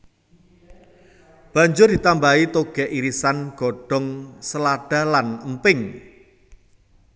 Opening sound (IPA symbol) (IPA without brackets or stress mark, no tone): b̥